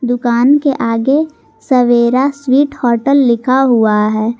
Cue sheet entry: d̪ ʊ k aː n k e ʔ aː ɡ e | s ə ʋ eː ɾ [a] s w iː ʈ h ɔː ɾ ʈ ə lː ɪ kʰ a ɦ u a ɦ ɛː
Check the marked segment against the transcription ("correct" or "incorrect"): correct